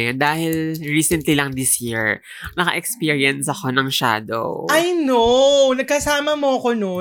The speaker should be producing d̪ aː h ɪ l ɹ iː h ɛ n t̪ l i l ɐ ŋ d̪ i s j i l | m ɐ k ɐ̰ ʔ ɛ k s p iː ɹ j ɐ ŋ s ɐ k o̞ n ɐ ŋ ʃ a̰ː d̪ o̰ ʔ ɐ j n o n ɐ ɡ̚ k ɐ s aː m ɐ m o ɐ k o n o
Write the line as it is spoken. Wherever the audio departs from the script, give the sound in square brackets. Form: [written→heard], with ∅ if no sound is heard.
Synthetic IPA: d̪ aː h ɪ l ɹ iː [h→s] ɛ n t̪ l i l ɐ ŋ d̪ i s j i [l→ɹ] | [m→n] ɐ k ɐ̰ ʔ ɛ k s p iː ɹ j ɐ [ŋ→n] s ɐ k o̞ n ɐ ŋ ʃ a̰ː d̪ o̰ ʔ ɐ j n o n ɐ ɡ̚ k ɐ s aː m ɐ m o ɐ k o n o